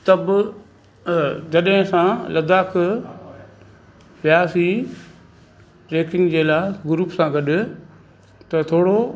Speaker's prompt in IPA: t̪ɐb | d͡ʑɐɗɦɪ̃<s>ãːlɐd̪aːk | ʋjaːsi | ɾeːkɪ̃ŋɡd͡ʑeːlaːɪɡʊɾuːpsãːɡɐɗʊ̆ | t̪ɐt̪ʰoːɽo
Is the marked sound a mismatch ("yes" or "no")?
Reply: no